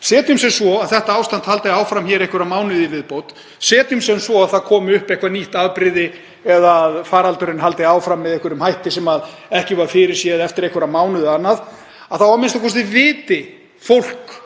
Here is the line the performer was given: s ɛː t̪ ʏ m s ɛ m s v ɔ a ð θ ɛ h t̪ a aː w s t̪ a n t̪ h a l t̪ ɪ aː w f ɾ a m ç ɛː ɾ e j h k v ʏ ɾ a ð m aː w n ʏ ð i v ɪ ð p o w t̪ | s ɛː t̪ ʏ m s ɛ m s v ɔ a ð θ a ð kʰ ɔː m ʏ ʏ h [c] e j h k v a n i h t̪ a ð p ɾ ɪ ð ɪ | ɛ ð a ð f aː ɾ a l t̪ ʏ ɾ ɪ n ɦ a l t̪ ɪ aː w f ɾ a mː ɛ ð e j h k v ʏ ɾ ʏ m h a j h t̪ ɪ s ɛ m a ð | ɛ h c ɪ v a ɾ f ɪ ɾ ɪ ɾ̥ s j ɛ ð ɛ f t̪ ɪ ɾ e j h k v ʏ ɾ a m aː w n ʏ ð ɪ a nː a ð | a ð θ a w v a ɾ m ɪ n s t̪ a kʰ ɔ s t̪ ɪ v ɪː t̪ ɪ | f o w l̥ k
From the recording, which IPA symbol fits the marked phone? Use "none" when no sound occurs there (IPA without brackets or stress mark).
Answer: p